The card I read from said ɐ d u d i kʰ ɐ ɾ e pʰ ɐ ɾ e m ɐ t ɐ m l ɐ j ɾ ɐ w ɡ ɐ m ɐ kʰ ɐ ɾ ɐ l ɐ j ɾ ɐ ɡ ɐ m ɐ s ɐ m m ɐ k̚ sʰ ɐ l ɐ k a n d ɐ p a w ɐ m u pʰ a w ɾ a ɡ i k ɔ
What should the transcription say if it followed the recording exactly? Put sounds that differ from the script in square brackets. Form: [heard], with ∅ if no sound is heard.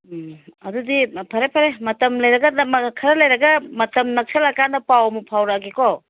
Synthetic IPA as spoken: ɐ d u d i [pʰ] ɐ ɾ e pʰ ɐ ɾ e m ɐ t ɐ m l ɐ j ɾ ɐ [∅] ɡ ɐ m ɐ kʰ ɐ ɾ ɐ l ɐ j ɾ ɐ ɡ ɐ m ɐ [t] ɐ m [n] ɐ k̚ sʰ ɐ l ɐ k a n d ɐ p a w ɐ m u pʰ a w ɾ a ɡ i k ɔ